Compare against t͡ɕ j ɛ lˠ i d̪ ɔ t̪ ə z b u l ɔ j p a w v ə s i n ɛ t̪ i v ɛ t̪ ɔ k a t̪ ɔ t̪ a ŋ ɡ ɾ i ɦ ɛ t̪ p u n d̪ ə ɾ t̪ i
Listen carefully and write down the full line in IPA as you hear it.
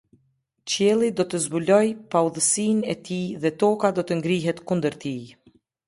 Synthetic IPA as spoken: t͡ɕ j ɛ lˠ i d̪ ɔ t̪ ə z b u l ɔ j p a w ð ə s i n ɛ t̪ i ð ɛ t̪ ɔ k a d̪ ɔ t̪ ə ŋ ɡ ɾ i ɦ ɛ t̪ k u n d̪ ə ɾ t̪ i